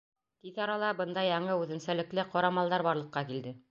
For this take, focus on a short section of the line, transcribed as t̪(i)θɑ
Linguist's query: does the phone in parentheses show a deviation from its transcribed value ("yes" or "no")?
no